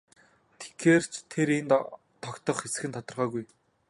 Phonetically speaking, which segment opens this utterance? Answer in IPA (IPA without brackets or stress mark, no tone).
t̪ʰ